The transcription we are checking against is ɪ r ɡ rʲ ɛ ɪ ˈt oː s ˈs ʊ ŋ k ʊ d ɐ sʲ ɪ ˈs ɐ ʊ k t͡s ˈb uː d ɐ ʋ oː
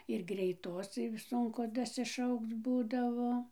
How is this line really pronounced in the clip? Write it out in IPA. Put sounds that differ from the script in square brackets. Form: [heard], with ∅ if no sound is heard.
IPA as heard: ɪ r ɡ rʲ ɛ ɪ ˈt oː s ˈs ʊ ŋ k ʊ d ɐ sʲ ɪ [ˈʃ] ɐ ʊ k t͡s ˈb uː d ɐ ʋ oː